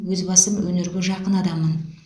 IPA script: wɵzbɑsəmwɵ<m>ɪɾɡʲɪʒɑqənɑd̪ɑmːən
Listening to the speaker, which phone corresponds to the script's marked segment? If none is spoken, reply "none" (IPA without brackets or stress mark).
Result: n